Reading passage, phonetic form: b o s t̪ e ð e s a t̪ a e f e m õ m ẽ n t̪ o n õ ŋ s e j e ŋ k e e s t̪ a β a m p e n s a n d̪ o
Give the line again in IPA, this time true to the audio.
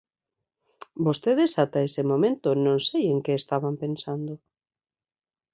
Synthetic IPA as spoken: b o s t̪ e ð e s a t̪ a e s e m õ m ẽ n t̪ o n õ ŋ s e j e ŋ k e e s t̪ a β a m p e n s a n d̪ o